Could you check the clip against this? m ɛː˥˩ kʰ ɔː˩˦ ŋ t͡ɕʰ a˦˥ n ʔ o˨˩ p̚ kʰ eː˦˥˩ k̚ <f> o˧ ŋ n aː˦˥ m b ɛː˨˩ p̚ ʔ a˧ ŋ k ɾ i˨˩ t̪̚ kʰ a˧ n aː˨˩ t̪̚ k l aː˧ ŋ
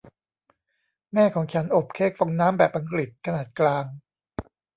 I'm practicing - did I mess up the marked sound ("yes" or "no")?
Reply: no